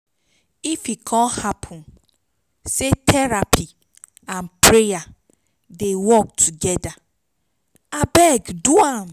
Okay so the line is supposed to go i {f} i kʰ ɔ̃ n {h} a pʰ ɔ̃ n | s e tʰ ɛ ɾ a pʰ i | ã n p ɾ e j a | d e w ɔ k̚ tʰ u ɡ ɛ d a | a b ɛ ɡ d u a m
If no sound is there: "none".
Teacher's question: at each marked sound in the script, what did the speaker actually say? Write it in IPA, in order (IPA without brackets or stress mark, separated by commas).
f, h